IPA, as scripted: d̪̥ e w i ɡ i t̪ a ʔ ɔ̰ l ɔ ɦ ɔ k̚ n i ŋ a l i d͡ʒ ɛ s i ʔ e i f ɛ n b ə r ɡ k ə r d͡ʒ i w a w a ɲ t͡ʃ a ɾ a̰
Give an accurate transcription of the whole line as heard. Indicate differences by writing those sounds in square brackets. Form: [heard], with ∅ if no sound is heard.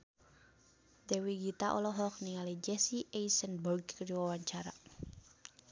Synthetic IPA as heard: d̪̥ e w i ɡ i t̪ a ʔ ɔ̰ l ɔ ɦ ɔ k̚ n i ŋ a l i d͡ʒ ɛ s i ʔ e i [s] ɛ n b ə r ɡ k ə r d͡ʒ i w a w a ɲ t͡ʃ a ɾ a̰